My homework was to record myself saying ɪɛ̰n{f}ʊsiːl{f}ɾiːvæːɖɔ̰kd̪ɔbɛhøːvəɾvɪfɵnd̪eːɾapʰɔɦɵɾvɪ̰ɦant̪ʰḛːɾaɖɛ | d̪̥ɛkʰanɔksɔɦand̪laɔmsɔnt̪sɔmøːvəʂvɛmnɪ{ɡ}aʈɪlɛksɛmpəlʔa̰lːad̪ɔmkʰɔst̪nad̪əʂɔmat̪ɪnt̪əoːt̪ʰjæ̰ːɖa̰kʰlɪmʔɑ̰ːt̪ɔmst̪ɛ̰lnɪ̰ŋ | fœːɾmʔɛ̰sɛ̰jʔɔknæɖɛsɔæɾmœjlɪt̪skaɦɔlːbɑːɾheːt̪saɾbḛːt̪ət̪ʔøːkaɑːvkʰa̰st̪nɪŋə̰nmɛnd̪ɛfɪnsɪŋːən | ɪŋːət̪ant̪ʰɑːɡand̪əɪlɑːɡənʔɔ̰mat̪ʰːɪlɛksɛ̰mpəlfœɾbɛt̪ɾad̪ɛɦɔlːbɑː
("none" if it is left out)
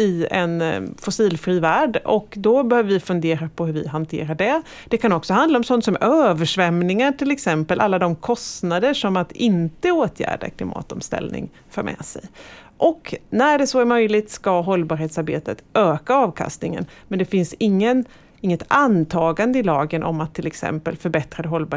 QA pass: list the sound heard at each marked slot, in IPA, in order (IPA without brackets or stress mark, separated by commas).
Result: f, f, ŋ